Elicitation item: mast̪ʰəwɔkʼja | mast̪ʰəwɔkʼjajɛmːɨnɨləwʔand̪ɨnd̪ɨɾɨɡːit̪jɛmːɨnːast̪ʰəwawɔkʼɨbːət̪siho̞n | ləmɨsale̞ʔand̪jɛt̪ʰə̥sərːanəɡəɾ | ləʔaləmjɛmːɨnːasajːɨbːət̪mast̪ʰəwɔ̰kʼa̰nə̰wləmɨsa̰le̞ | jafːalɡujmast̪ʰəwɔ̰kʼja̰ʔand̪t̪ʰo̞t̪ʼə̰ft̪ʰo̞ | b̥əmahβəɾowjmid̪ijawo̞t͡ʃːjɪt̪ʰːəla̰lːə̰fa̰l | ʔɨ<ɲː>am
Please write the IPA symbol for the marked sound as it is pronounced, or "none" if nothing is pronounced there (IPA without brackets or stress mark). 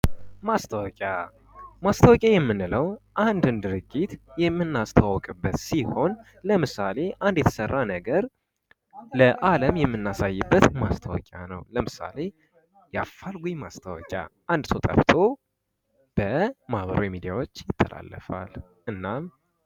nː